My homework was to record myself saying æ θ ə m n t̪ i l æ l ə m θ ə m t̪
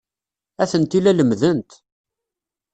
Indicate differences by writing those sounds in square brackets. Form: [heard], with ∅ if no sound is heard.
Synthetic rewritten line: æ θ ə [∅] n t̪ i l æ l ə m [ð] ə [n] t̪